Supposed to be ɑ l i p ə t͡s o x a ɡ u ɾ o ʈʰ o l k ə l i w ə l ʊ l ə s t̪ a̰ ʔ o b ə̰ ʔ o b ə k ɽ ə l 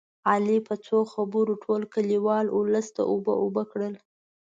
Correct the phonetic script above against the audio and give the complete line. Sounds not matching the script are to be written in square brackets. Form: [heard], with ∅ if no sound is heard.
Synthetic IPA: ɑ l i p ə t͡s o x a [b] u ɾ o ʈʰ o l k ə l i w [ɑ] l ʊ l ə s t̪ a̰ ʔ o b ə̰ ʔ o b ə k ɽ ə l

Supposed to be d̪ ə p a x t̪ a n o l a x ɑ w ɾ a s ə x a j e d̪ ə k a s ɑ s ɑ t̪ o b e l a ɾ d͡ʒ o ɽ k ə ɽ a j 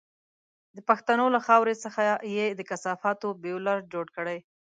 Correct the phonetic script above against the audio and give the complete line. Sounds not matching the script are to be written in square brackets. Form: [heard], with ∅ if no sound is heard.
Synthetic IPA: d̪ ə p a x t̪ a n o l a x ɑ w ɾ [e] s ə x a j e d̪ ə k a s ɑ [f] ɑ t̪ o b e l a ɾ d͡ʒ o ɽ k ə ɽ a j

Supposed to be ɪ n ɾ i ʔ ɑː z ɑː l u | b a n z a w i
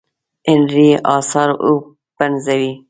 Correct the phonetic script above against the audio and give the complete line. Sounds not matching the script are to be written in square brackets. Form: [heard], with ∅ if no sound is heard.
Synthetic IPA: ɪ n ɾ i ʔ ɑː [s] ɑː [ɾ] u | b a n z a w i

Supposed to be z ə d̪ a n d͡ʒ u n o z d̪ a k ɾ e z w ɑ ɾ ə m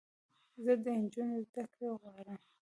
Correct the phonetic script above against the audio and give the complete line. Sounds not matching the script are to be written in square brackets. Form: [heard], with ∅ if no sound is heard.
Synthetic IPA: z ə d̪ [ə] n d͡ʒ u n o z d̪ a k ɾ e [ɣ] w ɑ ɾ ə m

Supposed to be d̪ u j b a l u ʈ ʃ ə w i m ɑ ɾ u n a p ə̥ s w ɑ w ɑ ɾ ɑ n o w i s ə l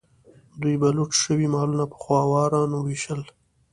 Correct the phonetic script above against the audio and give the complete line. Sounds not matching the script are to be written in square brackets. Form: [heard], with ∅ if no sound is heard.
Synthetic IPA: d̪ u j b a l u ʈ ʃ ə w i m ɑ [l] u n a p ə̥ [x] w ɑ w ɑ ɾ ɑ n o w i [ʃ] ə l

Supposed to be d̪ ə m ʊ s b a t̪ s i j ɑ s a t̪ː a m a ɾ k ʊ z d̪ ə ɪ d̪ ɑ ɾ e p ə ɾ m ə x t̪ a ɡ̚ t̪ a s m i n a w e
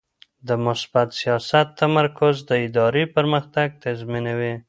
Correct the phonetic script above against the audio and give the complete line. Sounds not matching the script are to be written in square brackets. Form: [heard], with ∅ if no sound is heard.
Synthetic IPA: d̪ ə m ʊ s b a t̪ s i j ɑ s a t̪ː a m a ɾ k ʊ z d̪ ə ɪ d̪ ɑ ɾ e p ə ɾ m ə x t̪ a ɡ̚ t̪ a [z] m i n a w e

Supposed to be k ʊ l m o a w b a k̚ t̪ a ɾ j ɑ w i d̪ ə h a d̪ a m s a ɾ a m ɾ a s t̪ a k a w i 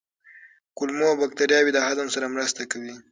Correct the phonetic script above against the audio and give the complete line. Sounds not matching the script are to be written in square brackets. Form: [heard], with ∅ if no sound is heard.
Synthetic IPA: k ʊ l m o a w b a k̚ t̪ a ɾ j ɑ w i d̪ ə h a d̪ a m s a ɾ a m ɾ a s t̪ a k a w i

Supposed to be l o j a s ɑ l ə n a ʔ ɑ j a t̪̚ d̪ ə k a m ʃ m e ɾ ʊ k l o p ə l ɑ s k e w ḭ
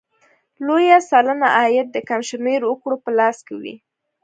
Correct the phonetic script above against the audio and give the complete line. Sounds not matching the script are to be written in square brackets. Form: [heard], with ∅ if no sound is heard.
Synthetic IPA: l o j a s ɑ l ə n a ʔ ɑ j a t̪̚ d̪ ə k a m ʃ m e ɾ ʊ k [ɽ] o p ə l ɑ s k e w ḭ

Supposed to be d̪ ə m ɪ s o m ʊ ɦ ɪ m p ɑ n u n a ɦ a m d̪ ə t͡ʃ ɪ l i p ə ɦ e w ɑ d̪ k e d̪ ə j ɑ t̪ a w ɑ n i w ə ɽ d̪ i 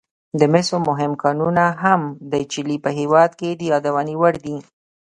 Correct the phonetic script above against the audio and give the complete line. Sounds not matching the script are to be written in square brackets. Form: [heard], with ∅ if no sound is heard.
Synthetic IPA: d̪ ə m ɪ s o m ʊ ɦ ɪ m [k] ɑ n u n a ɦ a m d̪ ə t͡ʃ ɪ l i p ə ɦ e w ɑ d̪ k e d̪ ə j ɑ [d̪] a w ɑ n i w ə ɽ d̪ i

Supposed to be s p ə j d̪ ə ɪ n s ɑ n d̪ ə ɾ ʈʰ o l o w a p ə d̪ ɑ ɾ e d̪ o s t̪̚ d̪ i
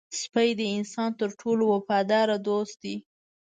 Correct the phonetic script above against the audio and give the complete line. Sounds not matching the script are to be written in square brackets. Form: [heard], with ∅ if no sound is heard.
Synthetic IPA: s p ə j d̪ ə ɪ n s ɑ n [t̪] ə ɾ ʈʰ o l o w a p [ɑ] d̪ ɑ ɾ [a] d̪ o s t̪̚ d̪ i

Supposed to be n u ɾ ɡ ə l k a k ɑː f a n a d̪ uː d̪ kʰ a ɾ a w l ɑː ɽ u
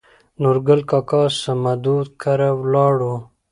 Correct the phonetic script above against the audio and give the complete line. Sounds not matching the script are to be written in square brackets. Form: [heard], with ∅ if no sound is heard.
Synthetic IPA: n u ɾ ɡ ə l k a k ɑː [s] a [m] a d̪ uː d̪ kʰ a ɾ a w l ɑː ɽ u

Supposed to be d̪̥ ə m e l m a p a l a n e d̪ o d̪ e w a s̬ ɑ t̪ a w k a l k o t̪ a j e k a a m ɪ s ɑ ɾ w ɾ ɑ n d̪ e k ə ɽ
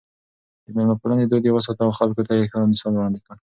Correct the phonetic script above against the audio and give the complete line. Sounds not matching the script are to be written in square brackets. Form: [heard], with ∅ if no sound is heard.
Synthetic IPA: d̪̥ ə m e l m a p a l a n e d̪ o d̪ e w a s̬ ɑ t̪ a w [x] a l k o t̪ a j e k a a m ɪ s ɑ [l] w [ɽ] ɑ n d̪ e k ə ɽ

